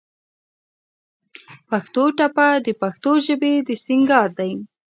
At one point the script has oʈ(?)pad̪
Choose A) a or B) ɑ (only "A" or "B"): A